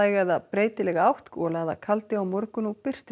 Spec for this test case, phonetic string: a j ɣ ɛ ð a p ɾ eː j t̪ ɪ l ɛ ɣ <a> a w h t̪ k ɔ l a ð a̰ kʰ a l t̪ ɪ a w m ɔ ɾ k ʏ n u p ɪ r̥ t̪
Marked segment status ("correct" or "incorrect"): correct